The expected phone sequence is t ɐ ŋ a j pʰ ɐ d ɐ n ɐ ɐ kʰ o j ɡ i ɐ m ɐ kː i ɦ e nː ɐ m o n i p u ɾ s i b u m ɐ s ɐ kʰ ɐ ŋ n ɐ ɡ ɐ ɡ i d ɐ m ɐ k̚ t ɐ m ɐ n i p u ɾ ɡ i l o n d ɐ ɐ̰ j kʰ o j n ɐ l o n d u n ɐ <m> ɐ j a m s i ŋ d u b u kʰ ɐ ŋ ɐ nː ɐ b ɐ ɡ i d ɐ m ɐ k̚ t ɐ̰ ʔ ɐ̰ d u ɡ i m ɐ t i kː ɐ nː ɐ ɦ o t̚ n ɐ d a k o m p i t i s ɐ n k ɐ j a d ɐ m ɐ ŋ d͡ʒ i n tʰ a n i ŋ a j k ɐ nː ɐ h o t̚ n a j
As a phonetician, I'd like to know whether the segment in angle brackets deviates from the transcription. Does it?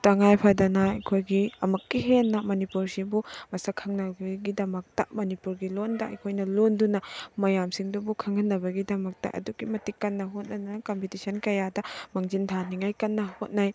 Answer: no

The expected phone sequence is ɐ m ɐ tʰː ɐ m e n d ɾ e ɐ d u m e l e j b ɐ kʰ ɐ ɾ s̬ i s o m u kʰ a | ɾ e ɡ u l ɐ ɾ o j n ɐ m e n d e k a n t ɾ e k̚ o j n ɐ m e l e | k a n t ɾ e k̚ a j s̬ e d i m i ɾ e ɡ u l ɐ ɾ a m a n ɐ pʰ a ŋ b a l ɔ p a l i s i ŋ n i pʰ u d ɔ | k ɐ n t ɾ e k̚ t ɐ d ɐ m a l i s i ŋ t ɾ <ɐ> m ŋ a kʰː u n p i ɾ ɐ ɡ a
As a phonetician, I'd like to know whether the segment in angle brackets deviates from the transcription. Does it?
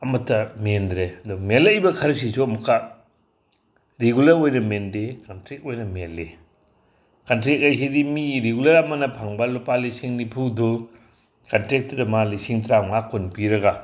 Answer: yes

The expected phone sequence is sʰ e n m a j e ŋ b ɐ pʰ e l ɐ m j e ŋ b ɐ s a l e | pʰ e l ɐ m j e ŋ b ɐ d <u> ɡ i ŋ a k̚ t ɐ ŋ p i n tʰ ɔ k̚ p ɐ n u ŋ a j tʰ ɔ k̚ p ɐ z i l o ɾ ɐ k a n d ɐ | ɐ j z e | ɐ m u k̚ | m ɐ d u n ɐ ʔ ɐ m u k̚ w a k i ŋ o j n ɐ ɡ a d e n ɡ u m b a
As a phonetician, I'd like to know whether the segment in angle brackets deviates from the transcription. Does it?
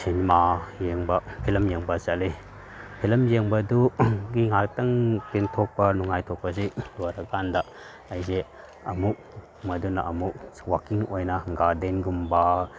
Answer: no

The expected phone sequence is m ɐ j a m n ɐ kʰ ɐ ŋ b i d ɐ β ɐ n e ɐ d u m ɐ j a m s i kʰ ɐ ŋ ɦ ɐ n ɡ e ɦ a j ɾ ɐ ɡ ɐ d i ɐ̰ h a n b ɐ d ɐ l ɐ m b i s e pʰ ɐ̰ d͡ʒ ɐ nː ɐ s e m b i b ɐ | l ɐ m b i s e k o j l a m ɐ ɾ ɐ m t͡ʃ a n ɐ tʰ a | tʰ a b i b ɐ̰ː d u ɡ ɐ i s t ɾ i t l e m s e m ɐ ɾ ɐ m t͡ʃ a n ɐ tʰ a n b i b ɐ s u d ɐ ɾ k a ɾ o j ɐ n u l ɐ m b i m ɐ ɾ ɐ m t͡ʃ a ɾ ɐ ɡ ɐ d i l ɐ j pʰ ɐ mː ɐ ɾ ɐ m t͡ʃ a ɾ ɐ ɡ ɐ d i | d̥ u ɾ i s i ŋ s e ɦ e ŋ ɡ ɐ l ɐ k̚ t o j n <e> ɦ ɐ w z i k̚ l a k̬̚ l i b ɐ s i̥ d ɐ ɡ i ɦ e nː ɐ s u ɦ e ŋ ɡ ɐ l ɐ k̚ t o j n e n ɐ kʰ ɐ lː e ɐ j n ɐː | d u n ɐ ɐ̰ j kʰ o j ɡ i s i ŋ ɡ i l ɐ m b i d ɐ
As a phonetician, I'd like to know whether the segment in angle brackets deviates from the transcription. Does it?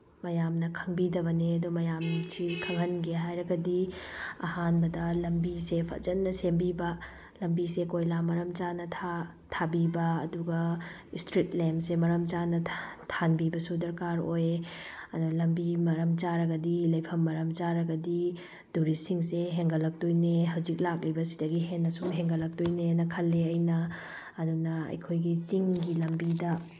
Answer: no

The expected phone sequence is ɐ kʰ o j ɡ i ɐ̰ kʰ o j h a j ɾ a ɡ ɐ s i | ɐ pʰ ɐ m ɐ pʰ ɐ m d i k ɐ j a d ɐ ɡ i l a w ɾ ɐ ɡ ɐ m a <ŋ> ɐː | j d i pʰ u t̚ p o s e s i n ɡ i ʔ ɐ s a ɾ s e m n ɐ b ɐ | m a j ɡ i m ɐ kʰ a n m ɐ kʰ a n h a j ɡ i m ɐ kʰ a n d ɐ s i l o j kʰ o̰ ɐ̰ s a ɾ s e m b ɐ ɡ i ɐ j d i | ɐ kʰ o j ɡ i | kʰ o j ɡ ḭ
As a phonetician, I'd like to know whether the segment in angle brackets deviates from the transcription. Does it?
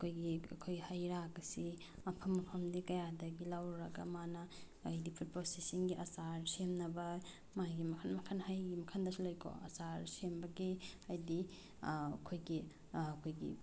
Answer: yes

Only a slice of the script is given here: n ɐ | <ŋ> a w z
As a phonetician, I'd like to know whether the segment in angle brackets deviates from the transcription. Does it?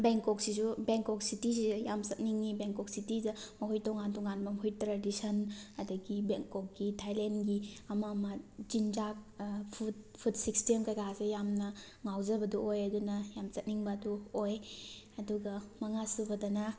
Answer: no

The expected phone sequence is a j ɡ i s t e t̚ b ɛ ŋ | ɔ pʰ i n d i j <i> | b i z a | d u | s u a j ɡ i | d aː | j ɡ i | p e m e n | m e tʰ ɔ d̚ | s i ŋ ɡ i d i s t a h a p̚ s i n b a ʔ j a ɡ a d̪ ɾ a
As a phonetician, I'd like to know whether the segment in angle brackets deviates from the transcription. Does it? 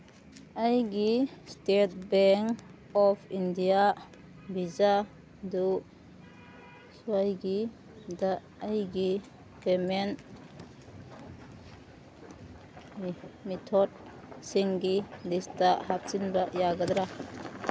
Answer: yes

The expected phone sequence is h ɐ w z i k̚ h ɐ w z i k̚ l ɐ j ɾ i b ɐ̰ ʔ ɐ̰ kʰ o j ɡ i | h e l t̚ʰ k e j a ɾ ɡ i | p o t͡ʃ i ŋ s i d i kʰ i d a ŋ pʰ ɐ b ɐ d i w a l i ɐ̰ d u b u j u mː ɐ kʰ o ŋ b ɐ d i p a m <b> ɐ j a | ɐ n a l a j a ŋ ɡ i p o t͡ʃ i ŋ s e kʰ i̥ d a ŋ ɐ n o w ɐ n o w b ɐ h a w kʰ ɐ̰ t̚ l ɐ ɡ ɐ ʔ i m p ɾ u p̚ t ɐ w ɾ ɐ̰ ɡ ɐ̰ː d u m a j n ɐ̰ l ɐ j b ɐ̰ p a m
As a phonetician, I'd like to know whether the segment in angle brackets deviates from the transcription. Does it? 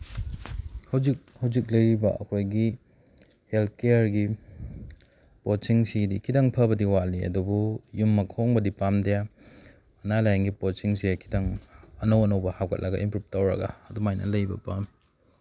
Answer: yes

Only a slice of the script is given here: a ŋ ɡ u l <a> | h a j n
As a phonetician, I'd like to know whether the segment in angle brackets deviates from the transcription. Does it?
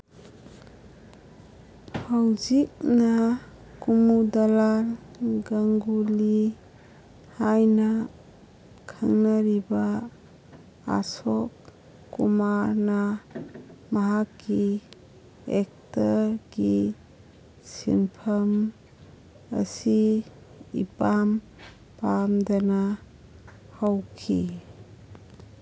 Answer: yes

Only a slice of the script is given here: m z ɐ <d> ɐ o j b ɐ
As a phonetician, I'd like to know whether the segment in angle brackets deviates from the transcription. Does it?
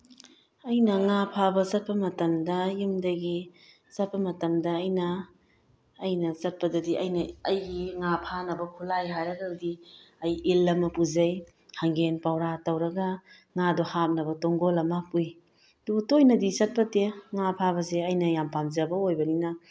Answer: yes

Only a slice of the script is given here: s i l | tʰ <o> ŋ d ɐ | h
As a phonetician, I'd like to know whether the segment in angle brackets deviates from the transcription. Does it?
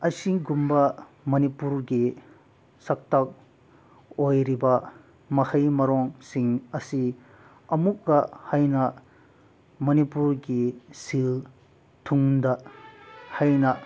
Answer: yes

